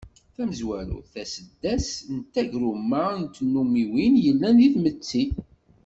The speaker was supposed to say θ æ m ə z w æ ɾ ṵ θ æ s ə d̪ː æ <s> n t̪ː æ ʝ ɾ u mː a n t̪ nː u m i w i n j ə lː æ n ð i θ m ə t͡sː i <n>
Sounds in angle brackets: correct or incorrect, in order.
correct, incorrect

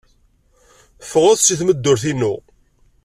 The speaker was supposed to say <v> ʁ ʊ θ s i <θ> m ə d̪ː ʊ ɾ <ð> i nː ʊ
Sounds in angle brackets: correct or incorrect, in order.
incorrect, correct, incorrect

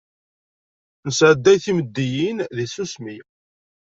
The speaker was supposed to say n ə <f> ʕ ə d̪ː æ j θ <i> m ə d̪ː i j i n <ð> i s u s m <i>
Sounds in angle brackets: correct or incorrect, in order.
incorrect, correct, correct, correct

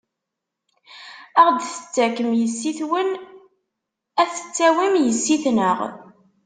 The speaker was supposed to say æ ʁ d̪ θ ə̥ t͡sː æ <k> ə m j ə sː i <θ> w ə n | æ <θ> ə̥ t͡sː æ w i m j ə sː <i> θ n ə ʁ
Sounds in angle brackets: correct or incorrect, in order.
correct, correct, correct, correct

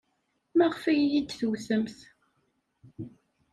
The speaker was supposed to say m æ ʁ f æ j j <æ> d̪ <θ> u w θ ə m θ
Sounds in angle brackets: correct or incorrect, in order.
incorrect, correct

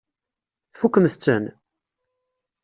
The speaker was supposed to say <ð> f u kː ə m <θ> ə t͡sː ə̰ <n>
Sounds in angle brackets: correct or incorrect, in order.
incorrect, correct, correct

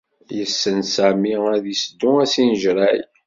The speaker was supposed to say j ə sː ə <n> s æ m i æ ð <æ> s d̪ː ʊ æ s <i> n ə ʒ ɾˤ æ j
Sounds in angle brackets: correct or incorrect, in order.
correct, incorrect, correct

